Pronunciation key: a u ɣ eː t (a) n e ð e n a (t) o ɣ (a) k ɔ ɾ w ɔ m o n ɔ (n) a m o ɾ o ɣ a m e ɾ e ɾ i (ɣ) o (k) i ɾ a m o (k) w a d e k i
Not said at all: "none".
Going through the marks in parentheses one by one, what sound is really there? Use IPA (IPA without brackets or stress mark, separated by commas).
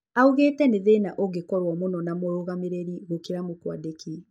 ɛ, ʔ, e, n, ɣ, k, k